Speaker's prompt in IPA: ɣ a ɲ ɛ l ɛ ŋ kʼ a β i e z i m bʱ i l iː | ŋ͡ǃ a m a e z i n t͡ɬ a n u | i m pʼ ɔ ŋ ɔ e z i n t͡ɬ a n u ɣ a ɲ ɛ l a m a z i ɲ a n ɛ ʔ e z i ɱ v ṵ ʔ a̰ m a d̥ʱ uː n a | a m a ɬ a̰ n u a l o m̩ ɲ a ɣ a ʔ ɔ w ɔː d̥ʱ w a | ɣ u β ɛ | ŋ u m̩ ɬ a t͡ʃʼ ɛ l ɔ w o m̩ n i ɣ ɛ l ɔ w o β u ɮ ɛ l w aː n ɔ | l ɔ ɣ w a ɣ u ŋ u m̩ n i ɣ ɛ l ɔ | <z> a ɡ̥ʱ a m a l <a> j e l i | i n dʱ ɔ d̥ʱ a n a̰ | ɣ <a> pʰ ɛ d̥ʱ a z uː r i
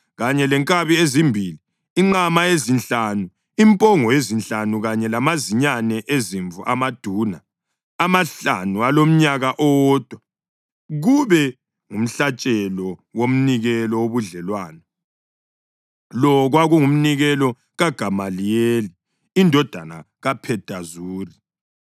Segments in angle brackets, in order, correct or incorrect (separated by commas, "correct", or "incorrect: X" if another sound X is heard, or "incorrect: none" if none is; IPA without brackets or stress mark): incorrect: ɣ, incorrect: i, correct